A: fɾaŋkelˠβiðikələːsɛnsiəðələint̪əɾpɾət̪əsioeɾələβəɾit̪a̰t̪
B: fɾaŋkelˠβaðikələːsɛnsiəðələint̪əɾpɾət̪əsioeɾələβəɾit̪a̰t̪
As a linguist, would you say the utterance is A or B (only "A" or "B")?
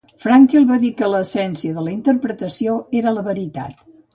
B